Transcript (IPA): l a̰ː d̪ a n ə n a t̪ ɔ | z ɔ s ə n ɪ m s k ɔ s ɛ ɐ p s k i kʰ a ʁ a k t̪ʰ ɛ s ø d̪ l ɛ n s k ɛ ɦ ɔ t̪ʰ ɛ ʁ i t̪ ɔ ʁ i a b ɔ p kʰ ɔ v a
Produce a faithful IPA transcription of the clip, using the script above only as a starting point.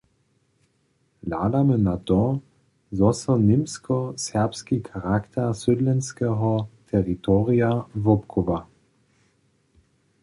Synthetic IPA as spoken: l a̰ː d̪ a m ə n a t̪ ɔ | z ɔ s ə n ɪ m s k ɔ s ɛ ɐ p s k i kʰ a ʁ a k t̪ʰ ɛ s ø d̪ l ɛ n s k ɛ ɦ ɔ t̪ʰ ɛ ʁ i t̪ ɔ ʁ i a v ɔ p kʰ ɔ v a